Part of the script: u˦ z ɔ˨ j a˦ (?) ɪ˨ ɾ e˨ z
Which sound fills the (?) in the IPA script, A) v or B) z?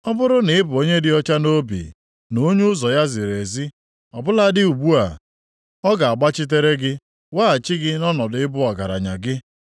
B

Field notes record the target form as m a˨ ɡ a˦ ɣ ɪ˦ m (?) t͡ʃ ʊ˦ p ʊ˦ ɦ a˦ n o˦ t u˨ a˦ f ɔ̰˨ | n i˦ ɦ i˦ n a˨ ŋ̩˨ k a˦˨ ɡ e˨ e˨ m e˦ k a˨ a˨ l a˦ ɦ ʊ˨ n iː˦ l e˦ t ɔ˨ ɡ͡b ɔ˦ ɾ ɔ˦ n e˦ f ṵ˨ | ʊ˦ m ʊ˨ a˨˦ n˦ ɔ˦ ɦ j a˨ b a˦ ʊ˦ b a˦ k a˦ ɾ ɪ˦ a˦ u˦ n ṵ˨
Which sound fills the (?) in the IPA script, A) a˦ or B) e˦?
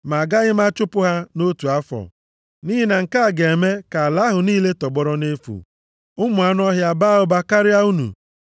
A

